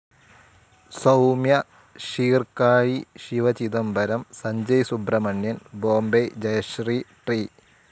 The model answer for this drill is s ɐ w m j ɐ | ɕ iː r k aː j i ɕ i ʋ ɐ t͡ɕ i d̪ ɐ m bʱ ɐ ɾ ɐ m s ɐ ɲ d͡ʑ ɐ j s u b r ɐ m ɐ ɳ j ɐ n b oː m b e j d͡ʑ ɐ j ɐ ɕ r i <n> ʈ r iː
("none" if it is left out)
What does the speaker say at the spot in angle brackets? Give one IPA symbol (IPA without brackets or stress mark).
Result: none